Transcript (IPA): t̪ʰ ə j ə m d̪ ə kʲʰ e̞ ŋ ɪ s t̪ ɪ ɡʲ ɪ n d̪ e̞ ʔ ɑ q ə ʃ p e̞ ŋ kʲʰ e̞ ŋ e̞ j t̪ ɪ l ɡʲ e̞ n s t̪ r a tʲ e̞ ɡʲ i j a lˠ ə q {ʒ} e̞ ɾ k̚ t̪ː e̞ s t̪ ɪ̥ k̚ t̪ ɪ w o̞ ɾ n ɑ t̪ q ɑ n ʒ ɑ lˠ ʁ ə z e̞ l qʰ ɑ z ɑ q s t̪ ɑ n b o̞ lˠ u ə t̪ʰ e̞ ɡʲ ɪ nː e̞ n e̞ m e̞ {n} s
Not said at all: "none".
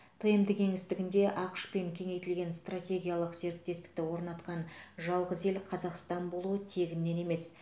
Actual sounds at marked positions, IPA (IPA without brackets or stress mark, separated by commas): z, none